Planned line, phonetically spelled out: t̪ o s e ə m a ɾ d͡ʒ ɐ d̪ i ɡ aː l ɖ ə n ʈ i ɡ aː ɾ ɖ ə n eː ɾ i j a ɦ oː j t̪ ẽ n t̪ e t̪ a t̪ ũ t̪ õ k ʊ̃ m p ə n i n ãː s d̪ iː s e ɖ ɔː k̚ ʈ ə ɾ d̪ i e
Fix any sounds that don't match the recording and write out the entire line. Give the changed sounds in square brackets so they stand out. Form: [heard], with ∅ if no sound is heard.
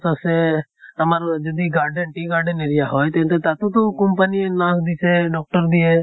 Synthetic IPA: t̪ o s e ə m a ɾ d͡ʒ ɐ d̪ i ɡ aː [ɾ] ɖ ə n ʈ i ɡ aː ɾ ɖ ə n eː ɾ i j a ɦ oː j t̪ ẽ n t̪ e t̪ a t̪ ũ t̪ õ k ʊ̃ m p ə n i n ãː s d̪ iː s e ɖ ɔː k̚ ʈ ə ɾ d̪ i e